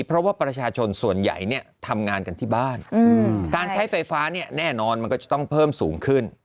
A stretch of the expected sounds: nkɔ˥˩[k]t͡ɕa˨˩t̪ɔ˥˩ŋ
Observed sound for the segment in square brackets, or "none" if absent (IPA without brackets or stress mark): none